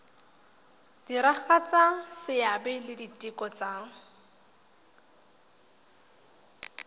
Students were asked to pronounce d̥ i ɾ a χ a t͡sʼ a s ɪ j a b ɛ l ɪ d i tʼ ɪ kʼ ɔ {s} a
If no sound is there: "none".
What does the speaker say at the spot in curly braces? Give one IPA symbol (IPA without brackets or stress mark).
t͡s